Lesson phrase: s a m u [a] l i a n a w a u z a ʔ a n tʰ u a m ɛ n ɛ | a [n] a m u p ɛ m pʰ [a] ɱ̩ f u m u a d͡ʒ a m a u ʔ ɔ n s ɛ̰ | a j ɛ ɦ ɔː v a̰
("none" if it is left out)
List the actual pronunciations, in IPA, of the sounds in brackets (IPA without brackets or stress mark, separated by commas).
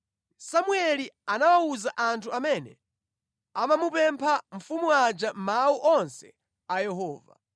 ɛ, m, a